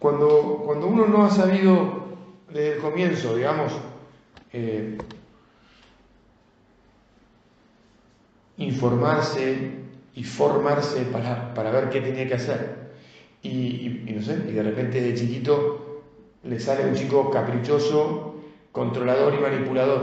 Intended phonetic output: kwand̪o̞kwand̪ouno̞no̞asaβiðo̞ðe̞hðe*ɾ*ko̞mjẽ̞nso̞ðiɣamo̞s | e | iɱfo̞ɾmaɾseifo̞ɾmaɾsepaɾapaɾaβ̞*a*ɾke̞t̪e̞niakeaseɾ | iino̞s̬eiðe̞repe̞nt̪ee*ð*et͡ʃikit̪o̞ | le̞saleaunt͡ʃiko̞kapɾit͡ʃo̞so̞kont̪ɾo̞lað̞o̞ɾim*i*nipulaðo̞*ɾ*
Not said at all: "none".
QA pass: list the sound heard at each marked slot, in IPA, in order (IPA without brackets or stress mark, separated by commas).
l, e, ð, a, ɾ